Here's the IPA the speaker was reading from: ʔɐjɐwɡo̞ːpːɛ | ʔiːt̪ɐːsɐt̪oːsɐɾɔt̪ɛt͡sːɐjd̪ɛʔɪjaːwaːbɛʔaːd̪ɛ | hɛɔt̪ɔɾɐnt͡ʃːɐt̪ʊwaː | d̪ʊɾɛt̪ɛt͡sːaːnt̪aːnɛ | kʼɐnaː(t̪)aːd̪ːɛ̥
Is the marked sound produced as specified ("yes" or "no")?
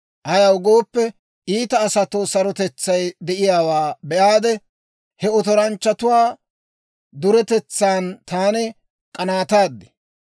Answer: yes